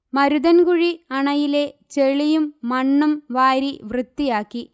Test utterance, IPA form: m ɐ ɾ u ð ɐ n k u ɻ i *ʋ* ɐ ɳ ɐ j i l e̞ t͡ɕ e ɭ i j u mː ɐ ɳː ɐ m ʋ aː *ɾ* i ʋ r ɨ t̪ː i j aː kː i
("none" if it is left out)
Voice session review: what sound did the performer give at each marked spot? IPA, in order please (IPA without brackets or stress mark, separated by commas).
none, ɾ